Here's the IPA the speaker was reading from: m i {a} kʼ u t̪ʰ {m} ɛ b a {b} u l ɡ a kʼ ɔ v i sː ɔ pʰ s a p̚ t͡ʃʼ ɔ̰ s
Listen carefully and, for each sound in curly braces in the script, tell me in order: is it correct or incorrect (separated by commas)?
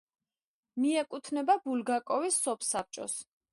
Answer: incorrect, incorrect, correct